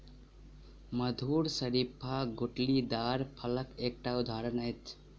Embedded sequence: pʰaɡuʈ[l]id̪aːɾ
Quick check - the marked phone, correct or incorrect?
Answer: correct